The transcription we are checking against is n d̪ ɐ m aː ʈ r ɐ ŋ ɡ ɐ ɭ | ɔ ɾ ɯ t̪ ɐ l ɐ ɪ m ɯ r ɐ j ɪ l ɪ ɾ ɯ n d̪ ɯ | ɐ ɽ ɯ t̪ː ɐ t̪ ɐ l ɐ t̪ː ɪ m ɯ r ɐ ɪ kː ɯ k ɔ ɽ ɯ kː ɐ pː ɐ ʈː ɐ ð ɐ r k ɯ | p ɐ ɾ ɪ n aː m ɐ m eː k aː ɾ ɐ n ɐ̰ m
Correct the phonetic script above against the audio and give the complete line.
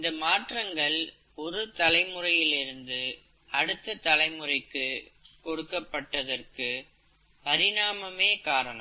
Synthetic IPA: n d̪ ɐ m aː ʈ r ɐ ŋ ɡ ɐ ɭ | ɔ ɾ ɯ t̪ ɐ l ɐ ɪ m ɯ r ɐ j ɪ l ɪ ɾ ɯ n d̪ ɯ | ɐ ɽ ɯ t̪ː ɐ t̪ ɐ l ɐ ɪ m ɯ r ɐ ɪ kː ɯ k ɔ ɽ ɯ kː ɐ pː ɐ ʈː ɐ ð ɐ r k ɯ | p ɐ ɾ ɪ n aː m ɐ m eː k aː ɾ ɐ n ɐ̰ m